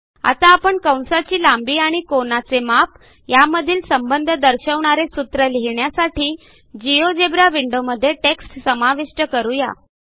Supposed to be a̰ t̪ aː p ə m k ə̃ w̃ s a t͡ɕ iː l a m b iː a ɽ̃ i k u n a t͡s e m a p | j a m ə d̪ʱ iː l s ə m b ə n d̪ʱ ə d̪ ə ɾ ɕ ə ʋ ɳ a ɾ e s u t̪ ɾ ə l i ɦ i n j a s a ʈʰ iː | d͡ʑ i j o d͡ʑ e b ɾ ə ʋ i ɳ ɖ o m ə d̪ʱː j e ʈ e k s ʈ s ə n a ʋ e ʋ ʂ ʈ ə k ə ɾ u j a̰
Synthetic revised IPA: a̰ t̪ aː p ə ɳ k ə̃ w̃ s a t͡ɕ iː l a m b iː a ɽ̃ i k o n a t͡s e m a p | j a m ə d̪ʱ iː l s ə m b ə n d̪ʱ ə d̪ ə ɾ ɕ ə ʋ ɳ a ɾ e s u t̪ ɾ ə l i ɦ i ɳ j a s a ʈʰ iː | d͡ʑ i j o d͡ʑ e b ɾ a ʋ i ɳ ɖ o m ə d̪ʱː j e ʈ e k s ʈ s ə m a ʋ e ʂ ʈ ə k ə ɾ u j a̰